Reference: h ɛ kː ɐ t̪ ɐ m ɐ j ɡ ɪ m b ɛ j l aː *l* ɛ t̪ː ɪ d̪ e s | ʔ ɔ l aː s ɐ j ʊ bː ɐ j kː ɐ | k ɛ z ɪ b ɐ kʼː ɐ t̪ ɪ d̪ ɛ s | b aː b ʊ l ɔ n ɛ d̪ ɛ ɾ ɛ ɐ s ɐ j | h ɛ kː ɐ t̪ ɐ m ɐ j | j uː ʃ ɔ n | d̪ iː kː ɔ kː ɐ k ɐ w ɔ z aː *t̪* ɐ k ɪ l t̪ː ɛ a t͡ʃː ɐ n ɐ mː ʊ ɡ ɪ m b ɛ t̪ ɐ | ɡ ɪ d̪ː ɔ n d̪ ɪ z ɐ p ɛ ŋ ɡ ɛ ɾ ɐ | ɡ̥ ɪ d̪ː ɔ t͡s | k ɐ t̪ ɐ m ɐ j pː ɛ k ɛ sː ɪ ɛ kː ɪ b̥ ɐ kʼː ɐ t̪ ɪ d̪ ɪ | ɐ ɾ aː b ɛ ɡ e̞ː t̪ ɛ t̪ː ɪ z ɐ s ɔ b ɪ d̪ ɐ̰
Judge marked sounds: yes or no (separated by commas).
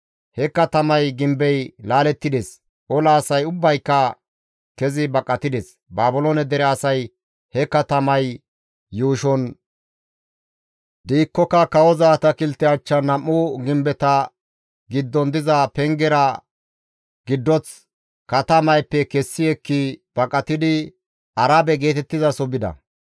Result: yes, yes